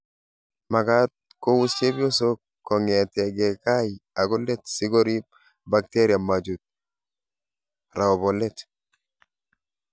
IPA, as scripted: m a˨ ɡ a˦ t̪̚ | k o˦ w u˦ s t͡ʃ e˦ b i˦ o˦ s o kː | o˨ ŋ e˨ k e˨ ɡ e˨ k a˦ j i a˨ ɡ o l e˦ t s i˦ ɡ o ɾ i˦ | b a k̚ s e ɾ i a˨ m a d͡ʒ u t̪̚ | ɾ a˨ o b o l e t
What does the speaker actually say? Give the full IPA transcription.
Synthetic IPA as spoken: m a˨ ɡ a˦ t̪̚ | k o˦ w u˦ s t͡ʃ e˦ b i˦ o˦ s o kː | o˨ ŋ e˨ t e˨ ɡ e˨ k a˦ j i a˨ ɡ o l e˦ t s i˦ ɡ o ɾ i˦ | b a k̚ t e ɾ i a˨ m a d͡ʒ u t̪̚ | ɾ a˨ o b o l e t